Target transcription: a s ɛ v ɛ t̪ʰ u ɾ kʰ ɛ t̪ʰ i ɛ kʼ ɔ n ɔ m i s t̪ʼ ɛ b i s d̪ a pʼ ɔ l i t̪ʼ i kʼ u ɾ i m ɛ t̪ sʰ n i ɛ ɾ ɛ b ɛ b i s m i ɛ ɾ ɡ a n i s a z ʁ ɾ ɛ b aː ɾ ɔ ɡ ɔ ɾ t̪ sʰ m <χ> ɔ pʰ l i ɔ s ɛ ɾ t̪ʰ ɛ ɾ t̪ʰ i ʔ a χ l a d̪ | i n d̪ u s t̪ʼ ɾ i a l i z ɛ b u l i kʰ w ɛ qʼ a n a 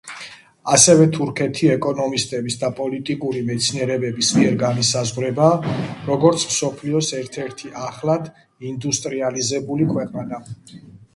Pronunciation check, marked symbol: incorrect: s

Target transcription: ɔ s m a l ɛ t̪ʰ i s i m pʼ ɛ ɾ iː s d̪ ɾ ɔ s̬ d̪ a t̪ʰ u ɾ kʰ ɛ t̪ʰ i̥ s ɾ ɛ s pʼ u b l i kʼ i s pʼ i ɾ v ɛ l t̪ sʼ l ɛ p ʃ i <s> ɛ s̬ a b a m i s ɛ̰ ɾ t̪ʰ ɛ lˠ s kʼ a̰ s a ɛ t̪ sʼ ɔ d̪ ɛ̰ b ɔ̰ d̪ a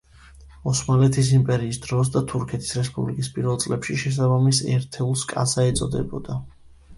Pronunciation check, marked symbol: incorrect: ʃ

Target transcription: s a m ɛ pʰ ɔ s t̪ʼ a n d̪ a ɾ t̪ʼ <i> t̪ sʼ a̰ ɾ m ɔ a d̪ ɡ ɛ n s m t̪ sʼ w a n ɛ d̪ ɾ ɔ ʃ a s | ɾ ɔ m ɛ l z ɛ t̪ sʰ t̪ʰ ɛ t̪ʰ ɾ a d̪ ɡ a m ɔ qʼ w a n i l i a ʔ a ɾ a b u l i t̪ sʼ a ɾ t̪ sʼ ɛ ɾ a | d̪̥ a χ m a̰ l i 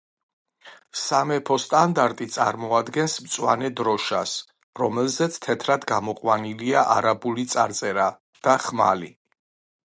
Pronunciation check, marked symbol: correct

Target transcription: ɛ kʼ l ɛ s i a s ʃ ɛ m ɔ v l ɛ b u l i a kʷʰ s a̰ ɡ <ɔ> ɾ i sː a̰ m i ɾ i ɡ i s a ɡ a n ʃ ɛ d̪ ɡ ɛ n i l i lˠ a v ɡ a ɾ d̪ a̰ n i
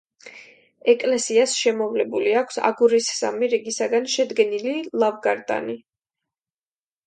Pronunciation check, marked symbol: incorrect: u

